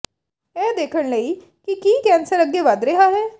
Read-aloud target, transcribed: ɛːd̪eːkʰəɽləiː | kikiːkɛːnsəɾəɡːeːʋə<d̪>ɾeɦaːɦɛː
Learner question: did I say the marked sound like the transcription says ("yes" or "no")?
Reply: yes